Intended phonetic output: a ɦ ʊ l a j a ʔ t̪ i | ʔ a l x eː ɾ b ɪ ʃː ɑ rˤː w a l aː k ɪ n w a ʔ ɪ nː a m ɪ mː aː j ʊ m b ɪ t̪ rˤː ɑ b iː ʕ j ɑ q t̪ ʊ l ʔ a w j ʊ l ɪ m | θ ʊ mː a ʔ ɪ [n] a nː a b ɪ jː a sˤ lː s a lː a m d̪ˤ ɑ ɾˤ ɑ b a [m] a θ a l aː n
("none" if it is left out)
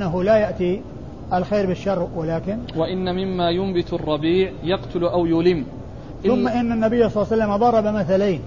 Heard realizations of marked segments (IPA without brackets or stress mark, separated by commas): nː, m